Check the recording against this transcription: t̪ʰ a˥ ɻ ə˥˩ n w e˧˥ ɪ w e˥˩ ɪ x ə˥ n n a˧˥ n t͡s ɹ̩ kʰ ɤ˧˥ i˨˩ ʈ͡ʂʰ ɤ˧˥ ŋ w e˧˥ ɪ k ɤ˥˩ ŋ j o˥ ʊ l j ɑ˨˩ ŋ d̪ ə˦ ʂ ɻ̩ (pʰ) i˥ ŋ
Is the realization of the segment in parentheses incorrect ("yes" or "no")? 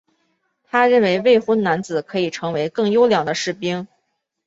yes